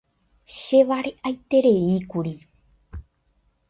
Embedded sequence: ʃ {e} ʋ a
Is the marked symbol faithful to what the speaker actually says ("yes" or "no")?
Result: yes